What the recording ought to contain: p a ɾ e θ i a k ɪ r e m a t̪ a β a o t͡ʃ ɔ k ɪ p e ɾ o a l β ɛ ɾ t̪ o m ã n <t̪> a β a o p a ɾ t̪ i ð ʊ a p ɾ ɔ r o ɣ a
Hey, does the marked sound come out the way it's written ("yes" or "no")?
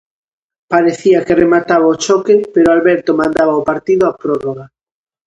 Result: no